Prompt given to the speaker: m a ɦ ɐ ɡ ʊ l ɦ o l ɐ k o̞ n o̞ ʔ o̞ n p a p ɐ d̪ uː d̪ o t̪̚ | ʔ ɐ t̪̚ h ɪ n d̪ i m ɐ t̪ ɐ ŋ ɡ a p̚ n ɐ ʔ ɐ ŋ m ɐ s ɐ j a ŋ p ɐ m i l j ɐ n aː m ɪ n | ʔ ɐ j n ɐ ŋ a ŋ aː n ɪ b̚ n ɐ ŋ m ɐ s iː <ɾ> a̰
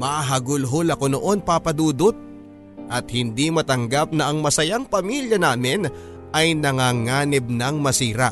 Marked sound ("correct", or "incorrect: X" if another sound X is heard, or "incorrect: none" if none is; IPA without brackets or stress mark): correct